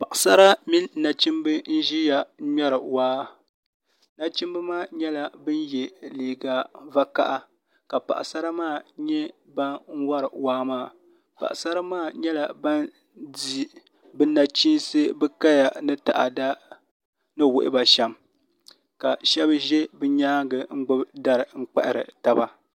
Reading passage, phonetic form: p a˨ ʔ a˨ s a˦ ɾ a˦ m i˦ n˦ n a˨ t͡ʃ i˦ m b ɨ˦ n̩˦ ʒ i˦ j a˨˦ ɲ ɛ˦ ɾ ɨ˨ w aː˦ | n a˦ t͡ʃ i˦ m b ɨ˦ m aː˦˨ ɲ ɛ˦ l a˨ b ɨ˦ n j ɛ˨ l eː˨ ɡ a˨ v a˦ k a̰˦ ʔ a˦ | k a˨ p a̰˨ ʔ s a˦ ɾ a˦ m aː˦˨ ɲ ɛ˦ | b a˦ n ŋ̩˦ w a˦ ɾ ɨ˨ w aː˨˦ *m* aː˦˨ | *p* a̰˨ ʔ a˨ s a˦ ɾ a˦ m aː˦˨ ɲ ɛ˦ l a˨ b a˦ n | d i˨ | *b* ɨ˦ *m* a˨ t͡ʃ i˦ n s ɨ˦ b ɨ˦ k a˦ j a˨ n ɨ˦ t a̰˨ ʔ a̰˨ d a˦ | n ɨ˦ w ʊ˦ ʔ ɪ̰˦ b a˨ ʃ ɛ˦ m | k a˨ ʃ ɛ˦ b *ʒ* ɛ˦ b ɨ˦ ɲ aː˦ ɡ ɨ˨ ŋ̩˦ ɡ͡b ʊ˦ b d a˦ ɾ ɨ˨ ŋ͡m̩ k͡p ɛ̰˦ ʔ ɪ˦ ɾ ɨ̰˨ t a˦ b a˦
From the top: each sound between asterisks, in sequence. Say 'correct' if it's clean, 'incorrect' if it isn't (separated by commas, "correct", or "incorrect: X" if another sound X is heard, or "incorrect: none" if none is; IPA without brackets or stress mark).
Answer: correct, correct, correct, incorrect: n, correct